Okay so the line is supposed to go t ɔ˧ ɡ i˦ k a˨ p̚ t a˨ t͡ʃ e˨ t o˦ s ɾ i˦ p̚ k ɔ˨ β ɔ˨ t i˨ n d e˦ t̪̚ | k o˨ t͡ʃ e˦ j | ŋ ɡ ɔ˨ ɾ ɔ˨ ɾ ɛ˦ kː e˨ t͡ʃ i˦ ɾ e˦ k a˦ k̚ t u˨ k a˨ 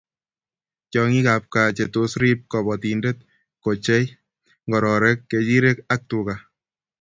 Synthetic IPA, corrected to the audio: t͡ʃ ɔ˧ ŋ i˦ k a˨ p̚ k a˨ t͡ʃ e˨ t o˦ s ɾ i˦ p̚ k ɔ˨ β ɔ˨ t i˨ n d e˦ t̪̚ | k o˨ t͡ʃ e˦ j | ŋ ɡ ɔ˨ ɾ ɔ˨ ɾ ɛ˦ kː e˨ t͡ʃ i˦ ɾ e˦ k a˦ k̚ t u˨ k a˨